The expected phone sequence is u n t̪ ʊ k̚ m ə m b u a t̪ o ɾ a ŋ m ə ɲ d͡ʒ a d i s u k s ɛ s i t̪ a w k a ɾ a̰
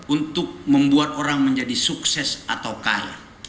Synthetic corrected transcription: u n t̪ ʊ k̚ m ə m b u a t̪ o ɾ a ŋ m ə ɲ d͡ʒ a d i s u k s ɛ s a t̪ a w k a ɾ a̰